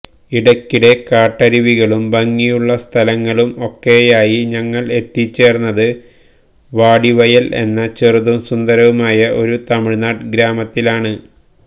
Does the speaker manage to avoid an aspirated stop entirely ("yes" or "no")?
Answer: no